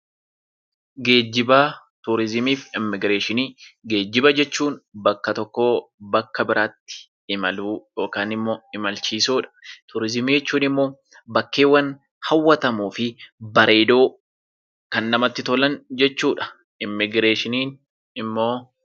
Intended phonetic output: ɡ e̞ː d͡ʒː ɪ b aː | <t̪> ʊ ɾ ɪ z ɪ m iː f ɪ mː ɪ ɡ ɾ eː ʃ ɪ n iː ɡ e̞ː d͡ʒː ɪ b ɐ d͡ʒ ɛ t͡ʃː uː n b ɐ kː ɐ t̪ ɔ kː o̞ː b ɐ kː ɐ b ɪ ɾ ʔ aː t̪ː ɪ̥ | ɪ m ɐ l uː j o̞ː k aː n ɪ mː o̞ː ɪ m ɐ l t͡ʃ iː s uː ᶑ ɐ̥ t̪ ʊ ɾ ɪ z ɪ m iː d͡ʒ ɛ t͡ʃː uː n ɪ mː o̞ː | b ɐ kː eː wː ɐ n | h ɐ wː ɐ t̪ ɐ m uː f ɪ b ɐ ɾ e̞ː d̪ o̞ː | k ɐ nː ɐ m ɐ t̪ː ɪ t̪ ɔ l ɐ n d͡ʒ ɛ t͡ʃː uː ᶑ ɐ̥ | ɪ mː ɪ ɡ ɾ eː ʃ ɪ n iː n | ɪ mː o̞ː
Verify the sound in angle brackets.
correct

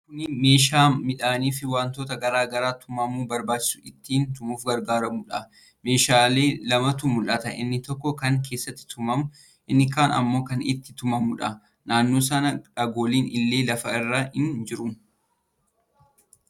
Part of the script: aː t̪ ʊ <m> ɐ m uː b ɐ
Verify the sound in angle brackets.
correct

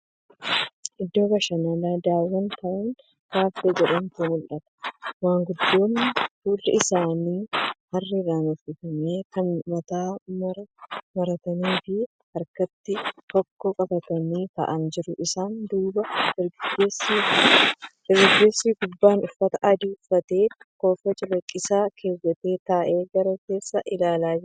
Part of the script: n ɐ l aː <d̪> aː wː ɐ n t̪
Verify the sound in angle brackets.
correct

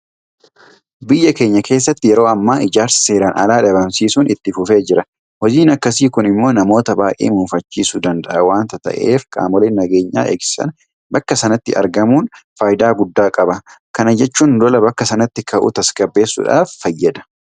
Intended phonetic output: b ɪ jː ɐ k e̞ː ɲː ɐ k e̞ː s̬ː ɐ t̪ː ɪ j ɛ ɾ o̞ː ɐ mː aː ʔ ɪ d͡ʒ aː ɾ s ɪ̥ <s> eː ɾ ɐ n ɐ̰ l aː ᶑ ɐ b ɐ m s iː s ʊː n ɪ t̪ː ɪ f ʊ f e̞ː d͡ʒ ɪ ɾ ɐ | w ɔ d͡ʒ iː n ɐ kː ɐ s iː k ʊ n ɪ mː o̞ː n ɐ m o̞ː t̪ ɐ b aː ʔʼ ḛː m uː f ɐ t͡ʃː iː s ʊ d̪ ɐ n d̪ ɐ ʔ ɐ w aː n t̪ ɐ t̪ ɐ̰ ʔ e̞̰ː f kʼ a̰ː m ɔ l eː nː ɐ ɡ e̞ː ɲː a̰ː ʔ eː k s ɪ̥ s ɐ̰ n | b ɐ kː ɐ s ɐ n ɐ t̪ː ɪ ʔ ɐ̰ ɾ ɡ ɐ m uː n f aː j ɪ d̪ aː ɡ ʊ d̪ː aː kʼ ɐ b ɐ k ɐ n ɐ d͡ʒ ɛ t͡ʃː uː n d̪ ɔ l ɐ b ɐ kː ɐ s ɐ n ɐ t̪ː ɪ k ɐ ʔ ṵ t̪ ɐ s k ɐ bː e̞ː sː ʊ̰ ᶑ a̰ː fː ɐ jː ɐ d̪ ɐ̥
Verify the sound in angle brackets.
correct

